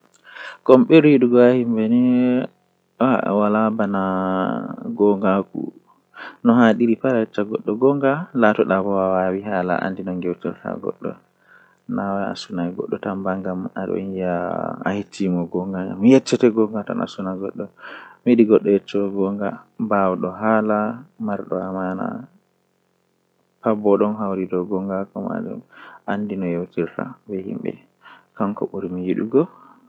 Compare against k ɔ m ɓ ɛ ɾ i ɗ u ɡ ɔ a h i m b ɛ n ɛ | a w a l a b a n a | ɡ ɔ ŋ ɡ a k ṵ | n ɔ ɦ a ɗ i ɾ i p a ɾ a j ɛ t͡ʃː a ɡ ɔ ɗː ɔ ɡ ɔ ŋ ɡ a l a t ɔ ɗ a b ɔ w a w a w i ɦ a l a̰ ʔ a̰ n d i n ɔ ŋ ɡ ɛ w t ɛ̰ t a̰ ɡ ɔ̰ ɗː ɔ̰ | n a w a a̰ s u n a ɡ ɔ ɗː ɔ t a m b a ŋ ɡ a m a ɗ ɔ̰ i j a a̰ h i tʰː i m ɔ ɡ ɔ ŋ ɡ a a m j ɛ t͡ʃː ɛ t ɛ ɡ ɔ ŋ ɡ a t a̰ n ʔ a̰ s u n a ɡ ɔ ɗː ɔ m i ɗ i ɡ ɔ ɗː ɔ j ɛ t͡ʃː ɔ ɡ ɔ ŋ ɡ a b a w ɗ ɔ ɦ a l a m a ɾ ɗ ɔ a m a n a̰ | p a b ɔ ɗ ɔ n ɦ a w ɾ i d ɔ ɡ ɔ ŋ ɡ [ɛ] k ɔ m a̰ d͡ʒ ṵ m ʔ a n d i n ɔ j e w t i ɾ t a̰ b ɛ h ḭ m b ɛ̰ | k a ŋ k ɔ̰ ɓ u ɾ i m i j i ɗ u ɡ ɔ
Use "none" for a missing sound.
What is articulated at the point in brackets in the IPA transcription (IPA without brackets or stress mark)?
a